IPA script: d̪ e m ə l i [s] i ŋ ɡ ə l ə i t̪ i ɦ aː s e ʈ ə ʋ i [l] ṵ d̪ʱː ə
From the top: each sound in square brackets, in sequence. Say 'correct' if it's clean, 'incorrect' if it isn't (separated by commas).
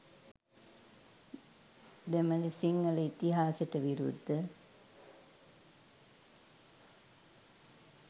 correct, incorrect